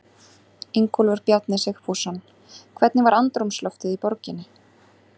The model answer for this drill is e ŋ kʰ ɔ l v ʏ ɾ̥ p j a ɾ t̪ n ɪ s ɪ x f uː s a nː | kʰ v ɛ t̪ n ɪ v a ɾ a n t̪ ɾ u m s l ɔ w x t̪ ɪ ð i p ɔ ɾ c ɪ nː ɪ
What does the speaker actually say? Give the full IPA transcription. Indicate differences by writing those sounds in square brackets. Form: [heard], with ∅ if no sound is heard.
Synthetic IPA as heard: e ŋ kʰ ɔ l v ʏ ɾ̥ p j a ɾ t̪ n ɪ s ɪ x f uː s a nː | kʰ v ɛ t̪ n ɪ v a ɾ a n t̪ ɾ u m s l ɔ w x t̪ ɪ ð i p ɔ ɾ c ɪ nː ɪ